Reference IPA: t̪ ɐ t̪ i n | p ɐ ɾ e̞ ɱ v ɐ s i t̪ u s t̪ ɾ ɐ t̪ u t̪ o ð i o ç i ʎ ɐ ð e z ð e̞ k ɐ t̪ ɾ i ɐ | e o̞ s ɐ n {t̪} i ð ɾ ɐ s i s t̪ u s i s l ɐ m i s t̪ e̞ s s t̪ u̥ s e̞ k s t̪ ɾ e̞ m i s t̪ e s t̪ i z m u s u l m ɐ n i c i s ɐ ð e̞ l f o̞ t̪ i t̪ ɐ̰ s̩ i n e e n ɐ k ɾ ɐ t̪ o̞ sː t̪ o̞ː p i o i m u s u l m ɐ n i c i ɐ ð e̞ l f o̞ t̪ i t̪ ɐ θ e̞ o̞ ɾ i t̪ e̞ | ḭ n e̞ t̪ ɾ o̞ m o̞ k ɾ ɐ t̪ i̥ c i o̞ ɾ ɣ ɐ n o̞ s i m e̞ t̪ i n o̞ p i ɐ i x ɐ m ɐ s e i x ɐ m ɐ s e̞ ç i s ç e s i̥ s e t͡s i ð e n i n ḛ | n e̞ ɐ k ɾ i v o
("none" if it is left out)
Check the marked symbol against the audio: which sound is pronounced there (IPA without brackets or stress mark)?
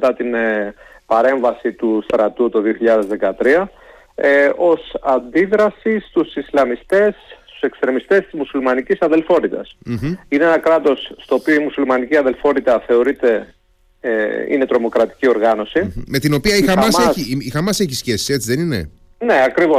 d̪